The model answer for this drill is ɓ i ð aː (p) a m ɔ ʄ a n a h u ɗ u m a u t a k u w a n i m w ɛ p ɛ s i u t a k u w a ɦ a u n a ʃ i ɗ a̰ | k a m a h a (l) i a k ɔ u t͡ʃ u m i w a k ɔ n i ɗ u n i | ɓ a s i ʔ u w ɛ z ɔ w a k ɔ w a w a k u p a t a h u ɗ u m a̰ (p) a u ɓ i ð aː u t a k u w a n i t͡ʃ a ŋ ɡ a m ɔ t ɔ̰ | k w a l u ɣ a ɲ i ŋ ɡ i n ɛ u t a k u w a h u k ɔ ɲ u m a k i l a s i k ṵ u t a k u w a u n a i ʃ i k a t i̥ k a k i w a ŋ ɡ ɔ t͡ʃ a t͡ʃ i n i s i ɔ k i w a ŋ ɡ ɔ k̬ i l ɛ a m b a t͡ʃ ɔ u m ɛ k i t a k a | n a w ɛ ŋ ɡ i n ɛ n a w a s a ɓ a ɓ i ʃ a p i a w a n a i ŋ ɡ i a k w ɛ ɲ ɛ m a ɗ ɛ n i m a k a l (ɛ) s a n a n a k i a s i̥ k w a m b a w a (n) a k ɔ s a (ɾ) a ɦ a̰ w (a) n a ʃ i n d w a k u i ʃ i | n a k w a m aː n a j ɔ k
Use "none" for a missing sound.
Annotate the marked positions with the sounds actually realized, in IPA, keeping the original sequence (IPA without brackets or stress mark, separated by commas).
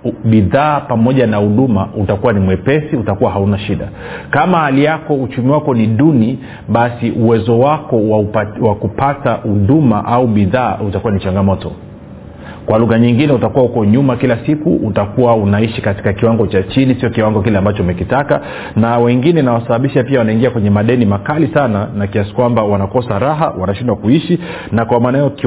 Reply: p, l, ʔ, i, n, ɾ, a